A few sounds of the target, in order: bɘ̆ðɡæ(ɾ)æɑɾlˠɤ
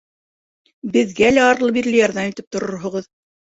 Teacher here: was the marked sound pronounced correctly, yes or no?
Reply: no